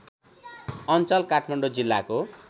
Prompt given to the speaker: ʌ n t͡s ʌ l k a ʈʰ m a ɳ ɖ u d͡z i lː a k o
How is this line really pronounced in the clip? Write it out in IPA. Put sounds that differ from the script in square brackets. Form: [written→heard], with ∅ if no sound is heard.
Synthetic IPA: ʌ n t͡s ʌ l k a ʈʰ m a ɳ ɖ [u→o] d͡z i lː a k o